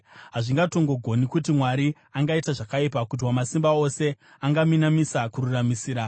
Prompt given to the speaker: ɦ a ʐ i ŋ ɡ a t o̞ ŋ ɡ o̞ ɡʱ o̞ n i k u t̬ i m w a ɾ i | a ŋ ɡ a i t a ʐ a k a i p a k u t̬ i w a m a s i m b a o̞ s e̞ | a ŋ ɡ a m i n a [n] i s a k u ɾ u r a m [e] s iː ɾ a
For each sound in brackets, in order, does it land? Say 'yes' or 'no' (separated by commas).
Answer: no, no